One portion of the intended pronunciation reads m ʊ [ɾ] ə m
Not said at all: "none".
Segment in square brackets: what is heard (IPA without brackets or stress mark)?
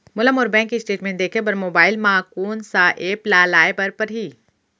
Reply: l